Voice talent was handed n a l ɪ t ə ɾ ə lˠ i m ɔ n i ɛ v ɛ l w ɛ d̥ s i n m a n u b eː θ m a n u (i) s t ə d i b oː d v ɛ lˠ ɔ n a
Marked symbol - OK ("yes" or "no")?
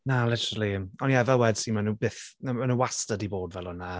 no